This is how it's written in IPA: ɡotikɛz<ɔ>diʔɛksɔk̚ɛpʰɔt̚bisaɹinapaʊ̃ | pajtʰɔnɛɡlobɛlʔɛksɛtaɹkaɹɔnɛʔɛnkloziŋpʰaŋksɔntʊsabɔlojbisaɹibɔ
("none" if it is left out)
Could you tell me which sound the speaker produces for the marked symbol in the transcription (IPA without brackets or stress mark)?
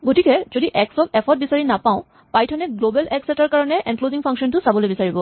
o